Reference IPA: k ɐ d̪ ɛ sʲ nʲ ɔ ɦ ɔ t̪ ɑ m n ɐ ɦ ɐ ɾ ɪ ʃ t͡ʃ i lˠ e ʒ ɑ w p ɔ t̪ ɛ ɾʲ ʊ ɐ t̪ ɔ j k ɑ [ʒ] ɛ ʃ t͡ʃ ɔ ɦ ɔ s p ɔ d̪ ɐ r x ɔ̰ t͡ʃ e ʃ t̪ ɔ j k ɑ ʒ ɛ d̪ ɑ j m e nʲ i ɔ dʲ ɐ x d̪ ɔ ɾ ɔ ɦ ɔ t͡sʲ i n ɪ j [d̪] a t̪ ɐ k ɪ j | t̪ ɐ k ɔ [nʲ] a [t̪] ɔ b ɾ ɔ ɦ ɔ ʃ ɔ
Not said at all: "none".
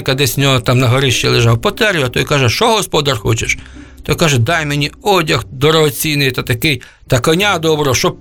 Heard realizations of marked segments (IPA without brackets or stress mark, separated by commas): ʒ, t̪, nʲ, d̪